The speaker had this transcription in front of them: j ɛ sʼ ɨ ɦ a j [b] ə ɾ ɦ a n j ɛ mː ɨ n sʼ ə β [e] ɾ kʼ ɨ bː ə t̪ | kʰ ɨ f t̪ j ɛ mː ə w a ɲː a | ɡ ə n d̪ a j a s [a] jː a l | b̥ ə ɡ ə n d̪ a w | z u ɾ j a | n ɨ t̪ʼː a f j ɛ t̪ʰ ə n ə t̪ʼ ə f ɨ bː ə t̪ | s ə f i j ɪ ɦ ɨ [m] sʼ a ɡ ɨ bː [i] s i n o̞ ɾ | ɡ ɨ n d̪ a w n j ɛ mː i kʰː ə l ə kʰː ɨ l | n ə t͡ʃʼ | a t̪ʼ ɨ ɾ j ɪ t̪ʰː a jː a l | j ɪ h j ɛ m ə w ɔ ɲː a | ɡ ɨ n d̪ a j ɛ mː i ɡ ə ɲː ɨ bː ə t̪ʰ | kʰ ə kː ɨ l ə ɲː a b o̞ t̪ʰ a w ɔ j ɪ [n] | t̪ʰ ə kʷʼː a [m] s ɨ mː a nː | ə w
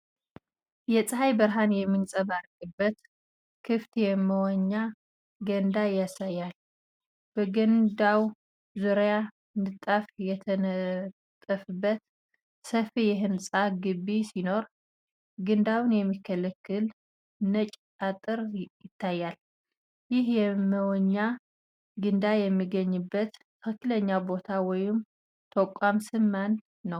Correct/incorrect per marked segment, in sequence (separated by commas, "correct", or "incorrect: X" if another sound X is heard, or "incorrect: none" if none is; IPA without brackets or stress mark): correct, incorrect: a, correct, incorrect: n, correct, incorrect: m, correct